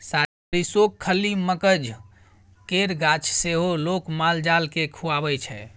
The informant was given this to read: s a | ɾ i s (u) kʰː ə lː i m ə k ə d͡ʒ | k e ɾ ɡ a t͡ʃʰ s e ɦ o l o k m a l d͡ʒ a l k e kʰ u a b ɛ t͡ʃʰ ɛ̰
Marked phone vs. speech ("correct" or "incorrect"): incorrect